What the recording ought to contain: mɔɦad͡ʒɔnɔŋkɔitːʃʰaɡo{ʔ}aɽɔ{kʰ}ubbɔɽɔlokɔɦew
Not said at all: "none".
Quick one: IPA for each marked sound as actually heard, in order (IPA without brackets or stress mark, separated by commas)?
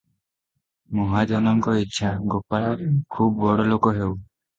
p, kʰ